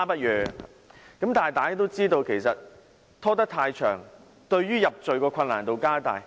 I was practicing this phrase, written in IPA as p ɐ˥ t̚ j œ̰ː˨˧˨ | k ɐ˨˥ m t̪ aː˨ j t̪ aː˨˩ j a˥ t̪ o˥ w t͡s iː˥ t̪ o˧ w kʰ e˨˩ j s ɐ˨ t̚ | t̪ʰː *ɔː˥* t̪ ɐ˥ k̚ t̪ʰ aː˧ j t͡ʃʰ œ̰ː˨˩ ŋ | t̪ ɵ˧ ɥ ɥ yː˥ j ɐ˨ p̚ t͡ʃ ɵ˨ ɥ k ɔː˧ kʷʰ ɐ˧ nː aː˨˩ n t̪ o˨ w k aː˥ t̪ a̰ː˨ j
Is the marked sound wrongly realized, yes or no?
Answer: no